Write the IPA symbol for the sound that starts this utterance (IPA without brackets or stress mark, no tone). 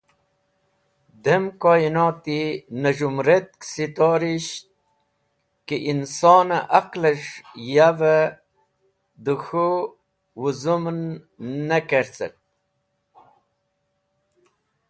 d̪